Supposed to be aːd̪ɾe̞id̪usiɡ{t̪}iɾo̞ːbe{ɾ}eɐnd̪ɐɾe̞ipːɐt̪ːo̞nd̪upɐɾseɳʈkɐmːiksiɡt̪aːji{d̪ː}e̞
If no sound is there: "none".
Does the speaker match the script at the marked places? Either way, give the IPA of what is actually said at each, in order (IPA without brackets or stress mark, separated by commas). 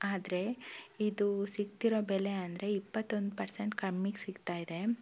t̪, l, d̪